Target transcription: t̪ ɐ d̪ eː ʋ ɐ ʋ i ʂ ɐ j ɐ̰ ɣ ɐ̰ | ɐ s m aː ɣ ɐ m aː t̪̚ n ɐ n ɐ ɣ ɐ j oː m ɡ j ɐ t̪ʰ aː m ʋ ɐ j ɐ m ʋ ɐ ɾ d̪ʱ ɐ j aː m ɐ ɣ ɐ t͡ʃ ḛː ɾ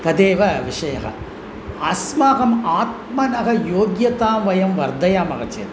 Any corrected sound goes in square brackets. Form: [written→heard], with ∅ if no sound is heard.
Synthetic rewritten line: t̪ ɐ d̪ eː ʋ ɐ ʋ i ʂ ɐ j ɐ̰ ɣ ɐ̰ | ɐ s m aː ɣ ɐ m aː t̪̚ [n→m] ɐ n ɐ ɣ ɐ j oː [m→∅] ɡ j ɐ [t̪ʰ→t̪] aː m ʋ ɐ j ɐ m ʋ ɐ ɾ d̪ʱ ɐ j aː m ɐ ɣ ɐ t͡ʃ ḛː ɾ